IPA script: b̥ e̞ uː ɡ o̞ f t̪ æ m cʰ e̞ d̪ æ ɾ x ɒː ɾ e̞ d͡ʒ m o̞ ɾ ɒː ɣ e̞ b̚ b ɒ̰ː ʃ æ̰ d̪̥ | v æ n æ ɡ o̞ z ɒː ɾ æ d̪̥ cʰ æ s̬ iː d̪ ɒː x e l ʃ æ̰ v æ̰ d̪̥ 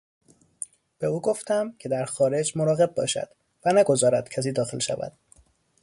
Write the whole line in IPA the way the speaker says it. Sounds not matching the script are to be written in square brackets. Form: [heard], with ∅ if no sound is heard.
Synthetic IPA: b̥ e̞ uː ɡ o̞ f t̪ æ m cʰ e̞ d̪ æ ɾ x ɒː ɾ e̞ d͡ʒ m o̞ ɾ ɒː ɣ e̞ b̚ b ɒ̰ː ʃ æ̰ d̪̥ | v æ n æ ɡ o̞ z ɒː ɾ æ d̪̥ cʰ æ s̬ iː d̪ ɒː x e l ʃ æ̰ v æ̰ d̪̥